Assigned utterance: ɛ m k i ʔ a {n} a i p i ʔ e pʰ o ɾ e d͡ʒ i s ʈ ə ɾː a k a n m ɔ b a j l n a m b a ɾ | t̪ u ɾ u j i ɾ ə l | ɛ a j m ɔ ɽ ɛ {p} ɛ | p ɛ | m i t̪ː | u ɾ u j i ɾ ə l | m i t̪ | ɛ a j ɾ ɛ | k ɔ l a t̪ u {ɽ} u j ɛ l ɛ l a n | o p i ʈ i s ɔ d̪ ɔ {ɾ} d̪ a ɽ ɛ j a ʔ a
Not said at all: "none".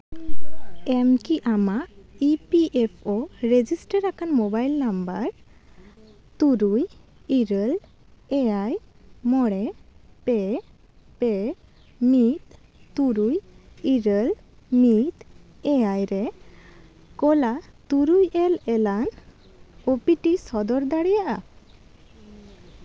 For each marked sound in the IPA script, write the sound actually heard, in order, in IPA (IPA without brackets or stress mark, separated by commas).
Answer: m, p, ɾ, ɾ